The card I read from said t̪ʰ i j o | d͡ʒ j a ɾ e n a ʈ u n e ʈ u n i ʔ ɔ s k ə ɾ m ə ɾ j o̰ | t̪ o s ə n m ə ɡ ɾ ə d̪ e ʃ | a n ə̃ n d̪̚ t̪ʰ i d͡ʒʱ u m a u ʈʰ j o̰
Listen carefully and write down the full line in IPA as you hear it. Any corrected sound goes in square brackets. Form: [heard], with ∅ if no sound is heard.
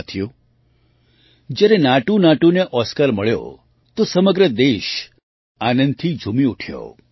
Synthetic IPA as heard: t̪ʰ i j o | d͡ʒ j a ɾ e n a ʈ u n [a] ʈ u n [e] ʔ ɔ s k ə ɾ m ə [ɭ] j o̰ | t̪ o s ə [∅] m ə ɡ ɾ ə d̪ e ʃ | a n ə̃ n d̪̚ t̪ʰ i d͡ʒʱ u m [i] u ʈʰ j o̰

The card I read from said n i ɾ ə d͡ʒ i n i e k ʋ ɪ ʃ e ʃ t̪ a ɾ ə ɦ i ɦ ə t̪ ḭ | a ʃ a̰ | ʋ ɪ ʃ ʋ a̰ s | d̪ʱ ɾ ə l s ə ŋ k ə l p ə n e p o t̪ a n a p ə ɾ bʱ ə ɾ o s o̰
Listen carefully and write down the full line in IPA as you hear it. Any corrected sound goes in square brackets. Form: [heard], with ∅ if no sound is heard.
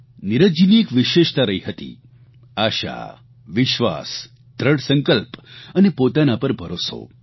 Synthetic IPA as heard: n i ɾ ə d͡ʒ i n i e k ʋ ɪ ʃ e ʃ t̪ a ɾ ə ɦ i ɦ ə t̪ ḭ | a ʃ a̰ | ʋ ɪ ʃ ʋ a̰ s | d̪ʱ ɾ ə [ɽ] s ə ŋ k ə l p ə n e p o t̪ a n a p ə ɾ bʱ ə ɾ o s o̰

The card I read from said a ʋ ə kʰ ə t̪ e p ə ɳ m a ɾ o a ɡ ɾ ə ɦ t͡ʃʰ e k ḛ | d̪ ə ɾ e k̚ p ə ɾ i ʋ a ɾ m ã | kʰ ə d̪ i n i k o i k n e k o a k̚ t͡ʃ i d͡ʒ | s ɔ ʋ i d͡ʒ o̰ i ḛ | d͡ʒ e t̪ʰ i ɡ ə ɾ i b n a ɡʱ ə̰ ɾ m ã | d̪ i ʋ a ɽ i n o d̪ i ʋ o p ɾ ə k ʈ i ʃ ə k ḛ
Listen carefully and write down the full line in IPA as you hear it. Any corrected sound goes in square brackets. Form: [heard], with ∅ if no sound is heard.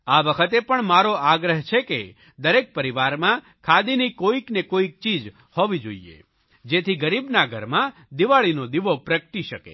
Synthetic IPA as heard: a ʋ ə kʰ ə t̪ e p ə ɳ m a ɾ o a ɡ ɾ ə ɦ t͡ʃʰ e k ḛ | d̪ ə ɾ e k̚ p ə ɾ i ʋ a ɾ m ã | kʰ [a] d̪ i n i k o i k n e k o [i] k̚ t͡ʃ i d͡ʒ | [h] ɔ ʋ i d͡ʒ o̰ i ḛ | d͡ʒ e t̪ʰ i ɡ ə ɾ i b n a ɡʱ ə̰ ɾ m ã | d̪ i ʋ a [ɭ] i n o d̪ i ʋ o p ɾ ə k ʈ i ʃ ə k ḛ

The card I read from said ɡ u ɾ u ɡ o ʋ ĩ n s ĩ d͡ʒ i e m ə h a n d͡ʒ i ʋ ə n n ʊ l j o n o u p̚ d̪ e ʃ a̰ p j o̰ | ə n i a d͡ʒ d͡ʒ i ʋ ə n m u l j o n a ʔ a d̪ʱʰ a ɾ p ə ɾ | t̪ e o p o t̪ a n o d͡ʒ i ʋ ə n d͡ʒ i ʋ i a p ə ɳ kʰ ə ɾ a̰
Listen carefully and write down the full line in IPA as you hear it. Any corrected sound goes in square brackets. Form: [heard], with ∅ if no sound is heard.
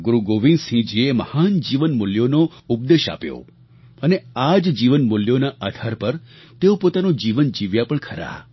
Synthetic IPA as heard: ɡ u ɾ u ɡ o ʋ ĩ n s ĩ d͡ʒ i e m ə h a n d͡ʒ i ʋ ə n [m] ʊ l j o n o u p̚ d̪ e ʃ a̰ p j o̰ | ə n [e] a d͡ʒ d͡ʒ i ʋ ə n m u l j o n a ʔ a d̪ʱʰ a ɾ p ə ɾ | t̪ e o p o t̪ a n o d͡ʒ i ʋ ə n d͡ʒ i ʋ [j] a p ə ɳ kʰ ə ɾ a̰

